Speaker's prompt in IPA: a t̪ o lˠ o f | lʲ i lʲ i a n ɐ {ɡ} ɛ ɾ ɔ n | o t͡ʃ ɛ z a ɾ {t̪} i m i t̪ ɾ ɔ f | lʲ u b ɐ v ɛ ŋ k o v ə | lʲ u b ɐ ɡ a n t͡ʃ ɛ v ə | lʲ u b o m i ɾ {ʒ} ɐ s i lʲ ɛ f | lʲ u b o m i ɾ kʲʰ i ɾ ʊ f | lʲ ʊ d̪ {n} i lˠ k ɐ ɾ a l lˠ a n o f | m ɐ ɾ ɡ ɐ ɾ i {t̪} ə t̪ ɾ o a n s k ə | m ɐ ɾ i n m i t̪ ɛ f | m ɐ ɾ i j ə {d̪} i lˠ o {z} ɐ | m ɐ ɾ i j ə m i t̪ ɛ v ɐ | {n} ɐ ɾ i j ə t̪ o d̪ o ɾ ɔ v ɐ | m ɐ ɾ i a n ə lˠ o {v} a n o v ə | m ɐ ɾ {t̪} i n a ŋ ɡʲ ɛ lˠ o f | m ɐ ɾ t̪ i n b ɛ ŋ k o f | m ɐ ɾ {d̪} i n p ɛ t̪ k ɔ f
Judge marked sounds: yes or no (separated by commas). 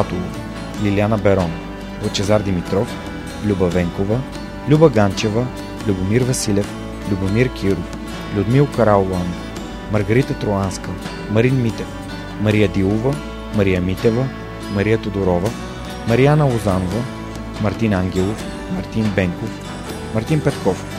no, no, no, no, yes, yes, no, no, no, yes, no